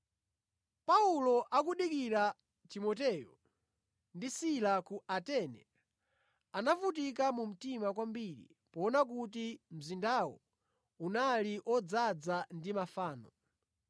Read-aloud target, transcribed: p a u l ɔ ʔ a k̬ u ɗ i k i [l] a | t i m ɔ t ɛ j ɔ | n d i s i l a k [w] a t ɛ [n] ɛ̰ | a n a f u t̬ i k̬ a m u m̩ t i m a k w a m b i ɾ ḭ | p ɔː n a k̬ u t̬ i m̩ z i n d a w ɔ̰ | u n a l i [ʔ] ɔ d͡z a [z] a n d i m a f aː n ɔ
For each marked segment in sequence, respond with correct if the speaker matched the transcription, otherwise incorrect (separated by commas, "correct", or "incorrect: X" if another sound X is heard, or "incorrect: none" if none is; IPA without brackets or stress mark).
incorrect: ɾ, incorrect: u, correct, correct, incorrect: d͡z